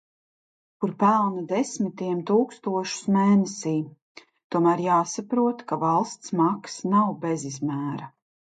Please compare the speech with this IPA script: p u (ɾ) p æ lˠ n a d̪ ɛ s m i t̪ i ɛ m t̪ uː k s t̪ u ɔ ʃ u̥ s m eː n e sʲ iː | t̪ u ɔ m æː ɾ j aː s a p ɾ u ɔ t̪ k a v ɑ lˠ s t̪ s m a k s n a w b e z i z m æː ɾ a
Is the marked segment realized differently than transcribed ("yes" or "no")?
no